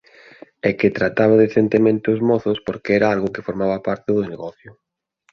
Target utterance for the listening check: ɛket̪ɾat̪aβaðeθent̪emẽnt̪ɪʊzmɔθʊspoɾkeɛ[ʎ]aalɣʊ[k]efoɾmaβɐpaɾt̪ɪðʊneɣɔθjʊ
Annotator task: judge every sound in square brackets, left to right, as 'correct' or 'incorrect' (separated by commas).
incorrect, correct